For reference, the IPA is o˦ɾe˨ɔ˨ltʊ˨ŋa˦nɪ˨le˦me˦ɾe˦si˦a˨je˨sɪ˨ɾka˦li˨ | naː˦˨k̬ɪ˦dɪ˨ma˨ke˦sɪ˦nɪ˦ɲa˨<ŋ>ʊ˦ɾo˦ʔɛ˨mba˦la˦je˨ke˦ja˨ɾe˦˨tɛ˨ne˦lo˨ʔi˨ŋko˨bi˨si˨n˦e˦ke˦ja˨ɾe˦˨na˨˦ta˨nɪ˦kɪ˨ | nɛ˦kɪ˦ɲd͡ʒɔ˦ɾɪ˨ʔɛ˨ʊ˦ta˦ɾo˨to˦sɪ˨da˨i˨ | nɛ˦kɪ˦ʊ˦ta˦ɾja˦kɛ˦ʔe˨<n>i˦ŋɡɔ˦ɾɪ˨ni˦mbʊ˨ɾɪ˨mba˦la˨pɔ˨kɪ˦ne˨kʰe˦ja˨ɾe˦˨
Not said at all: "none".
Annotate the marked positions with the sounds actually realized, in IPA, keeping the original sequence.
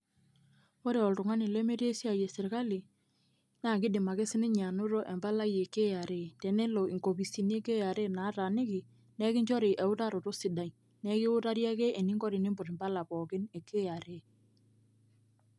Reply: n, n

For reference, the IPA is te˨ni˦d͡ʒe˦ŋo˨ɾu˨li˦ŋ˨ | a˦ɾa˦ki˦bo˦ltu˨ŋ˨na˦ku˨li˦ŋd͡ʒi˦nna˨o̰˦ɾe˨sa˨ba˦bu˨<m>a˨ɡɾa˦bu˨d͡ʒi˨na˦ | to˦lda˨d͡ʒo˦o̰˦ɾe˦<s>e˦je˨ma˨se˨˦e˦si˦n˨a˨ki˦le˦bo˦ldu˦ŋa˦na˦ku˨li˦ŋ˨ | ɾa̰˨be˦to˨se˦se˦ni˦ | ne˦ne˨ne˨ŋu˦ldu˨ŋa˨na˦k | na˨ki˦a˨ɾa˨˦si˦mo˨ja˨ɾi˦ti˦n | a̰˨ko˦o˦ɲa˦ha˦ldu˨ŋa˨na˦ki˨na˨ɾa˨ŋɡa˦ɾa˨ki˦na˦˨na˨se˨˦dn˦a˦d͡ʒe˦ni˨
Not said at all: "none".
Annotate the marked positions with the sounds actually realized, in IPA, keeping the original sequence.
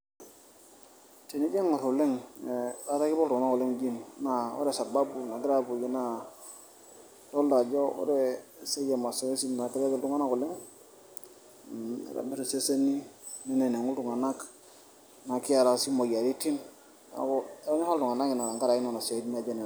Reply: n, s

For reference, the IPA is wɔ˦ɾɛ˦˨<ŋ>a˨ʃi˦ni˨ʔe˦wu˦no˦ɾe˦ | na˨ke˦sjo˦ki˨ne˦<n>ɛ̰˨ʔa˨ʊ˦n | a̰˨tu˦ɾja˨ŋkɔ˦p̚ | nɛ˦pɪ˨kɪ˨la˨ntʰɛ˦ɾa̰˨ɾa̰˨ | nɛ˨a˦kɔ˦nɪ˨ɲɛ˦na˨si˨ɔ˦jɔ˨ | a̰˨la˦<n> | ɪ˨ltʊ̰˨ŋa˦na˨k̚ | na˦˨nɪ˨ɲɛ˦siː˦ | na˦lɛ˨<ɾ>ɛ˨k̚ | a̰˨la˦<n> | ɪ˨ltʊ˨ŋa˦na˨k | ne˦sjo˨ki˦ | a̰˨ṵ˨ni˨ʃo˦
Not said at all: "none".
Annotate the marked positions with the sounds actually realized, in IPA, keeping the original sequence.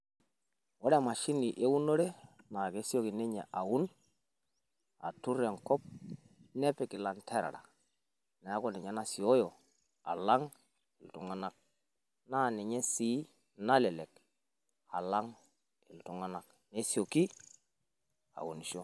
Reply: m, ɲ, ŋ, l, ŋ

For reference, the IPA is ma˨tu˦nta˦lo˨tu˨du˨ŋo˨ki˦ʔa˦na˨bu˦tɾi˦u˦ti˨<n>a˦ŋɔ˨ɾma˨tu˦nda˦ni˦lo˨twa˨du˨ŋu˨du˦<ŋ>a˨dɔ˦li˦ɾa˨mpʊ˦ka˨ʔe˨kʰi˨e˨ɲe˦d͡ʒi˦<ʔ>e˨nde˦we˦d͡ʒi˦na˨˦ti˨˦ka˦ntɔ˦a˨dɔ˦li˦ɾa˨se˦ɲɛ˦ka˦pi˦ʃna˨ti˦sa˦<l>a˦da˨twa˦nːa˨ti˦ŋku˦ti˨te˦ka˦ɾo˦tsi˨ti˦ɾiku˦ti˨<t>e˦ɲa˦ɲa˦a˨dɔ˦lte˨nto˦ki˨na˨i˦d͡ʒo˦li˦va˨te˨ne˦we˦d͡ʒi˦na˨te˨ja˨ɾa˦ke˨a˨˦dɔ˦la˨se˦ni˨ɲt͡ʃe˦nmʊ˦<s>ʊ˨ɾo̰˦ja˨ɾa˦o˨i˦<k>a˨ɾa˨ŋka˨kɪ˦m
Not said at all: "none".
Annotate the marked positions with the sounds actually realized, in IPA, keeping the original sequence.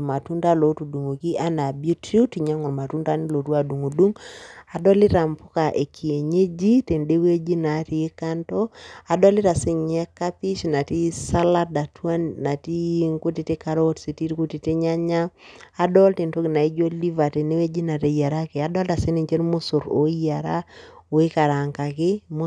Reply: ɲ, ŋ, t, l, t, s, k

